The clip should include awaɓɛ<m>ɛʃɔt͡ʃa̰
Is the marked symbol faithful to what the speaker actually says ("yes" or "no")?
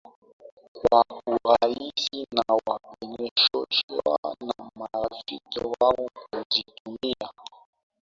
no